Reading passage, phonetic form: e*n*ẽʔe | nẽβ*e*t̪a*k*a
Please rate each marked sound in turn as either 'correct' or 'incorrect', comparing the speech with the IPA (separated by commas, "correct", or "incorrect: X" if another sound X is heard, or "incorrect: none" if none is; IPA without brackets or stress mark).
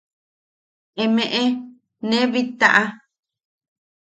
incorrect: m, incorrect: i, incorrect: ʔ